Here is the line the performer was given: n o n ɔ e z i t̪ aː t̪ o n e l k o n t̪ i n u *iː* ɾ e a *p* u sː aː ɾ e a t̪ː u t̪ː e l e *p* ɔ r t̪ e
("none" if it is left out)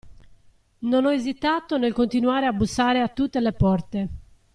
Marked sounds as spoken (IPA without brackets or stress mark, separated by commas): aː, b, p